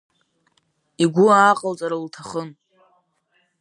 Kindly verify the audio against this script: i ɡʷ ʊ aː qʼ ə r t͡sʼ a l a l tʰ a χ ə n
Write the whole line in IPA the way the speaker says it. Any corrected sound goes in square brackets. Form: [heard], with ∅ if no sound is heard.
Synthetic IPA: i ɡʷ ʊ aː qʼ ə [l] t͡sʼ a [ɾ] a l tʰ a χ ə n

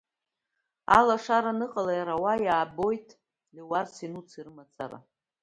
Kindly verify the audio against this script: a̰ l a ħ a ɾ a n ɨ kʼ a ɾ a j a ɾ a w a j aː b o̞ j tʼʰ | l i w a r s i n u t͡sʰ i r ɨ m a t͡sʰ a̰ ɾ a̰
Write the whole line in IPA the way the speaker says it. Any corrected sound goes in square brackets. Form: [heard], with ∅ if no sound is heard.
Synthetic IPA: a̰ l a [ʂ] a ɾ a n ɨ [qʼ] a [l] a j a ɾ a w a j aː b o̞ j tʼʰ | l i w a r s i n u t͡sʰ i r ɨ m a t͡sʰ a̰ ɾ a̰

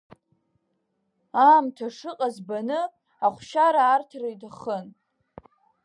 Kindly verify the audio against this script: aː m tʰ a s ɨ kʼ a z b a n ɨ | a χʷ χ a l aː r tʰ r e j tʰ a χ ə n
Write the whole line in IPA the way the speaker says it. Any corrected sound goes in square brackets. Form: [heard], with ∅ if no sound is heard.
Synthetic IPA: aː m tʰ a [ʂ] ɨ [qʼ] a z b a n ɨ | a χʷ [ʃ] a [ɾ] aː r tʰ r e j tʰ a χ ə n

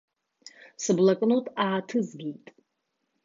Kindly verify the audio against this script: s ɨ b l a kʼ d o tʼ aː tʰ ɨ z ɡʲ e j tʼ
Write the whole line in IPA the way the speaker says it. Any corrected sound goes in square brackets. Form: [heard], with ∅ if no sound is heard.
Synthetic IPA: s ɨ b l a kʼ [n] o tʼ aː tʰ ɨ z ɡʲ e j tʼ

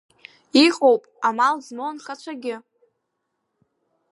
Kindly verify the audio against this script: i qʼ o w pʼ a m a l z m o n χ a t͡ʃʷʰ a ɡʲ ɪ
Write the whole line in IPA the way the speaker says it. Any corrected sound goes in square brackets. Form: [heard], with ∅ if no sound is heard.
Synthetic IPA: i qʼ o w pʼ a m a l z m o n χ a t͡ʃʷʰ a ɡʲ ɪ

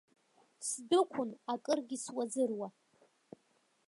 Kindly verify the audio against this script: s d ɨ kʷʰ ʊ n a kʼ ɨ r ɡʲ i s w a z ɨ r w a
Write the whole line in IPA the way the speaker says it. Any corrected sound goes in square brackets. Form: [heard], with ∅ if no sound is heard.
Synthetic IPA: s d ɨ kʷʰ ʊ n a kʼ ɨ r ɡʲ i s w a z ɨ r w a

